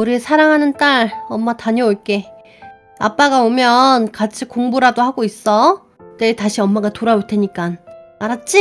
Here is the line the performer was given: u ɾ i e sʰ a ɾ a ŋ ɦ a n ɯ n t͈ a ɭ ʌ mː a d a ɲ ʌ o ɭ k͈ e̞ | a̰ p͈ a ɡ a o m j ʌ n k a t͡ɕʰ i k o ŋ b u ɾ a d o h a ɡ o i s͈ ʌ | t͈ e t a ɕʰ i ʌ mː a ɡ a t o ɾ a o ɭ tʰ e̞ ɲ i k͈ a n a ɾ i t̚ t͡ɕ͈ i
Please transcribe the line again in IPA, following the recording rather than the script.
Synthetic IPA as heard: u ɾ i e sʰ a ɾ a ŋ ɦ a n ɯ n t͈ a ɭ ʌ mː a t a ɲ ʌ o ɭ k͈ e̞ | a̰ p͈ a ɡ a o m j ʌ n k a t͡ɕʰ i k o ŋ b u ɾ a d o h a ɡ o i s͈ ʌ | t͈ e t a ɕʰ i ʌ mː a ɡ a t o ɾ a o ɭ tʰ e̞ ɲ i k͈ a n a ɾ a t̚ t͡ɕ͈ i